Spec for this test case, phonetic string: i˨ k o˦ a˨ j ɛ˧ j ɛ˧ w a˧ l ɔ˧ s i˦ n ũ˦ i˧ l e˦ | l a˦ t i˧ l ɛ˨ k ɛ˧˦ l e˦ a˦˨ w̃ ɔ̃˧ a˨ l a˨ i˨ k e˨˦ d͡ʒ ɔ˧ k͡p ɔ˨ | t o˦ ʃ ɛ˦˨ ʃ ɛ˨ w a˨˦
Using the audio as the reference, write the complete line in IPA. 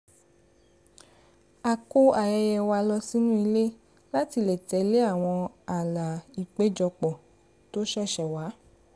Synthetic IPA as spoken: a˨ k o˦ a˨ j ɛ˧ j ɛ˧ w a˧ l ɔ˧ s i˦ n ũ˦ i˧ l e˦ | l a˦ t i˧ l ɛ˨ t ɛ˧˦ l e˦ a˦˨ w̃ ɔ̃˧ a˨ l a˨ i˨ k͡p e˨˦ d͡ʒ ɔ˧ k͡p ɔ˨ | t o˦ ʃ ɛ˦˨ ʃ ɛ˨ w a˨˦